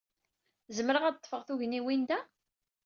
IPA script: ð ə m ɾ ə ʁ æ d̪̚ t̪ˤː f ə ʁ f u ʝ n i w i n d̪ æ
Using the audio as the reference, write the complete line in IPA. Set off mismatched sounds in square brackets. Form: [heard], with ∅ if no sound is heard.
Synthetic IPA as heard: [z] ə m ɾ ə ʁ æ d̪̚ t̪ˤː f ə ʁ [θ] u ʝ n i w i n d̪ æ